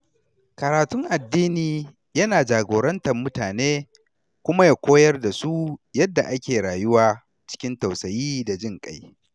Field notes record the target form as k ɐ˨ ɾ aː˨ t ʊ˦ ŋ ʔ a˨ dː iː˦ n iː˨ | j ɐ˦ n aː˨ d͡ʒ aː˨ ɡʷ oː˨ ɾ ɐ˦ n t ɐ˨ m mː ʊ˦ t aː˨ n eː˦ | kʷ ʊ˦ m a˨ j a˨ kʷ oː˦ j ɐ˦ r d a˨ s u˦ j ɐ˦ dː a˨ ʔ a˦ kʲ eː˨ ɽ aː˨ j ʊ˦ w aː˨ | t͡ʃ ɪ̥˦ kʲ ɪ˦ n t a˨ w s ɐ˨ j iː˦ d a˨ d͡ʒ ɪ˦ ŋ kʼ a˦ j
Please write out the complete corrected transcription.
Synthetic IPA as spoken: k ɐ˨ ɾ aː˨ t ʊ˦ ŋ ʔ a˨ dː iː˦ n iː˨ | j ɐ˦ n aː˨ d͡ʒ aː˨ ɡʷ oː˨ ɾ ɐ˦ n t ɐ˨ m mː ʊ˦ t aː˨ n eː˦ | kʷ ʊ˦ m a˦ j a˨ kʷ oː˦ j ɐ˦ r d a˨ s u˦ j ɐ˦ dː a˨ ʔ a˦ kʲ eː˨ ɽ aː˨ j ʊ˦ w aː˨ | t͡ʃ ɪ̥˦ kʲ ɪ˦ n t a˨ w s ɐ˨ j iː˦ d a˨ d͡ʒ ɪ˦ ŋ kʼ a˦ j

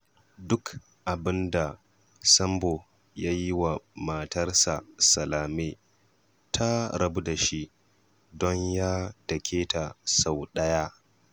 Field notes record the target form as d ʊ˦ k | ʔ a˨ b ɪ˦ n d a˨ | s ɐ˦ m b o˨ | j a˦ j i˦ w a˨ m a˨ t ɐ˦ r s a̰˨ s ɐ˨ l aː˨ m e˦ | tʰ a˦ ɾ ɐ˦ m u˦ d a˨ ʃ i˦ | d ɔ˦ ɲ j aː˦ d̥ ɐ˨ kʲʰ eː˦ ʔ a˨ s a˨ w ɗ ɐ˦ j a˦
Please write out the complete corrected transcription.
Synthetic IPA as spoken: d ʊ˦ k | ʔ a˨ b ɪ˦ n d a˨ | s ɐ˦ m b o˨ | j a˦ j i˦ w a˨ m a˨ t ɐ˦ r s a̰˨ s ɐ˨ l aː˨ m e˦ | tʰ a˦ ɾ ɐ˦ b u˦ d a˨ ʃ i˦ | d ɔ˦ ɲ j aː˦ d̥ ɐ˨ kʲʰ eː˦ t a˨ s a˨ w ɗ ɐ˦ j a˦

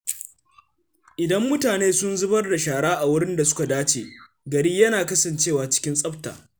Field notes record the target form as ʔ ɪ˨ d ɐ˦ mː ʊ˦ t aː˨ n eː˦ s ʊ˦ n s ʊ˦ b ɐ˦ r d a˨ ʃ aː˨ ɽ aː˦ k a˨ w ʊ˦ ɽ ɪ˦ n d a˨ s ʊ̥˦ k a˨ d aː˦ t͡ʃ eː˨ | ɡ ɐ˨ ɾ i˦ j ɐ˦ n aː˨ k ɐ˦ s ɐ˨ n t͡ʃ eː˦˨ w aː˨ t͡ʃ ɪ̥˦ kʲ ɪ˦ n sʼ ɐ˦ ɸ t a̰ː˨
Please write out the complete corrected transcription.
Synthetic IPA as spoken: ʔ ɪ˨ d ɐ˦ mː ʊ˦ t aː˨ n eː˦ s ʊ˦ n z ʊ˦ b ɐ˦ r d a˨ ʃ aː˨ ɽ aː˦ ʔ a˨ w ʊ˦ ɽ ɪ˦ n d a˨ s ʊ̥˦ k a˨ d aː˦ t͡ʃ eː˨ | ɡ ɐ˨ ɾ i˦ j ɐ˦ n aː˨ k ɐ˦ s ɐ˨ n t͡ʃ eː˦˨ w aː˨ t͡ʃ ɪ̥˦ kʲ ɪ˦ n sʼ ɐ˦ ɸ t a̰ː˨

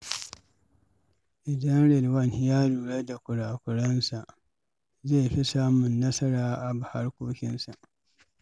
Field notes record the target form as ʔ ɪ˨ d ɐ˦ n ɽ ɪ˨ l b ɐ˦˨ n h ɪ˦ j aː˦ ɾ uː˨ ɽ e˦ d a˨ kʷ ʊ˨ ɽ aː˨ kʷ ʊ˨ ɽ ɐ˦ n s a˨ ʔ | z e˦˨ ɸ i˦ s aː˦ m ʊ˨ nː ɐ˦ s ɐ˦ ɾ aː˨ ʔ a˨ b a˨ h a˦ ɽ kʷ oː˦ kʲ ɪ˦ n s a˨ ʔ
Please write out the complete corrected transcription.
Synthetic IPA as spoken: ʔ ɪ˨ d ɐ˦ n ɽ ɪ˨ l w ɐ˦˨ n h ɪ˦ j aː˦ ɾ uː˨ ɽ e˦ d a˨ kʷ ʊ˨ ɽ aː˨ kʷ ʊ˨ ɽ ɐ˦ n s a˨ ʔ | z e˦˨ ɸ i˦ s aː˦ m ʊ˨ nː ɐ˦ s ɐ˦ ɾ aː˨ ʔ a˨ b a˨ h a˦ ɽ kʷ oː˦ kʲ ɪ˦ n s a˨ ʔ

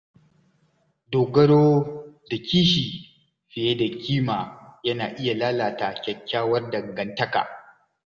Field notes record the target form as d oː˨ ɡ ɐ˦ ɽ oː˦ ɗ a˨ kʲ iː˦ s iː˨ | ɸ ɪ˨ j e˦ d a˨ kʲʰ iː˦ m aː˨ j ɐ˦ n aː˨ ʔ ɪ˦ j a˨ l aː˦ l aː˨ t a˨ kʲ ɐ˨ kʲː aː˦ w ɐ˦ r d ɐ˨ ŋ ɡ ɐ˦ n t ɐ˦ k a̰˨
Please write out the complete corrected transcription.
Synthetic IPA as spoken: d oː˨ ɡ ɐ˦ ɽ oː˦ d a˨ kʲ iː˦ ʃ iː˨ | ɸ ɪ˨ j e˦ d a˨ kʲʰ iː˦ m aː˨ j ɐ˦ n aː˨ ʔ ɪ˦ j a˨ l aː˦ l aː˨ t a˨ kʲ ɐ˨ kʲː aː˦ w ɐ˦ r d ɐ˨ ŋ ɡ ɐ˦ n t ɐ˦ k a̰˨

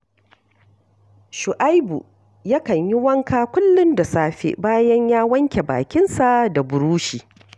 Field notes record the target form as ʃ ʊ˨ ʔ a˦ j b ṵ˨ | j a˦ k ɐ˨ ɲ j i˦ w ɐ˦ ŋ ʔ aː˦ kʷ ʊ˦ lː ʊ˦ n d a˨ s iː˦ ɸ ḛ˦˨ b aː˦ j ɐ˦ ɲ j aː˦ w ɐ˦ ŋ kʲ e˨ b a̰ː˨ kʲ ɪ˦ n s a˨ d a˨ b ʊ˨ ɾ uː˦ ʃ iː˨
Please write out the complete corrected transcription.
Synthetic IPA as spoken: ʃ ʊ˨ ʔ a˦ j b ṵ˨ | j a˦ k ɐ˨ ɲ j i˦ w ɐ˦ ŋ k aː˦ kʷ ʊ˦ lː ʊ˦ n d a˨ s aː˦ ɸ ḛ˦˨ b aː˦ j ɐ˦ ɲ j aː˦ w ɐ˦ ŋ kʲ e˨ b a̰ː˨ kʲ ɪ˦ n s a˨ d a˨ b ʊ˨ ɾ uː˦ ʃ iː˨

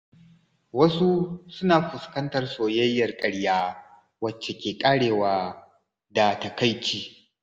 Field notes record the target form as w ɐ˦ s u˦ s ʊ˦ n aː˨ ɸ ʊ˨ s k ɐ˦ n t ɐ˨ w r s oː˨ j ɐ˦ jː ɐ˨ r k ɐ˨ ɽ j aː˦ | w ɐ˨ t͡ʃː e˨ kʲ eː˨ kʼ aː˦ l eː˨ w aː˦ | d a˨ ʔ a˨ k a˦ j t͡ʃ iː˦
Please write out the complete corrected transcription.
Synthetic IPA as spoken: w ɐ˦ s u˦ s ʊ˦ n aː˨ ɸ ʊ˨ s k ɐ˦ n t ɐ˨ r s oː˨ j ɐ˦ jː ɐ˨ r kʼ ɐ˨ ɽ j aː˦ | w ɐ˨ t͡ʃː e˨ kʲ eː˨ kʼ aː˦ ɽ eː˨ w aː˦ | d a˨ t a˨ k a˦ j t͡ʃ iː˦

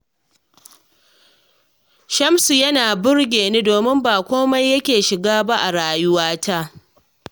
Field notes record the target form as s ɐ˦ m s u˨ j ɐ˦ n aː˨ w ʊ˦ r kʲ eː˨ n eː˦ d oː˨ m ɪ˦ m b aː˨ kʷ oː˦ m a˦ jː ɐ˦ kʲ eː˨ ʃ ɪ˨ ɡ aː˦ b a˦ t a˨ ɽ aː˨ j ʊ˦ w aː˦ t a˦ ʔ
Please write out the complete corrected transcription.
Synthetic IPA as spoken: ʃ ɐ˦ m s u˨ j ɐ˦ n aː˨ b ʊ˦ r ɡʲ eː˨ n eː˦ d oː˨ m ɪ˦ m b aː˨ kʷ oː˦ m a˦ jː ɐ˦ kʲ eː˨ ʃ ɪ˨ ɡ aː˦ b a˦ ʔ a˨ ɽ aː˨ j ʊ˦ w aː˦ t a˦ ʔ

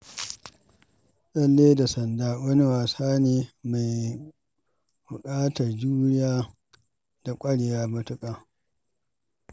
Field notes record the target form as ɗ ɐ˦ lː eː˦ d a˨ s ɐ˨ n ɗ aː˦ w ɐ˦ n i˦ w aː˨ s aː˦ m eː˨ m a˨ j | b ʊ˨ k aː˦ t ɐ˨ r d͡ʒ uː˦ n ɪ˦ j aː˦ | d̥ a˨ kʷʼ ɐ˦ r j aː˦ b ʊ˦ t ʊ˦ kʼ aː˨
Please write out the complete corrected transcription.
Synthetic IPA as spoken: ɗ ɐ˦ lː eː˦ d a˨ s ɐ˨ n d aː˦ w ɐ˦ n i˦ w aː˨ s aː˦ n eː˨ m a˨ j | b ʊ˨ kʼ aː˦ t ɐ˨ r d͡ʒ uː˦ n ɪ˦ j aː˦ | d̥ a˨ kʷʼ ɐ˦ ɽ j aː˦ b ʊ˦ t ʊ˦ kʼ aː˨

